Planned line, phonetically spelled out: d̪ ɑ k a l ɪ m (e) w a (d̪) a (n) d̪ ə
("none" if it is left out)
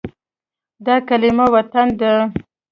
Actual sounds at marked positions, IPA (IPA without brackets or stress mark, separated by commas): a, t̪, n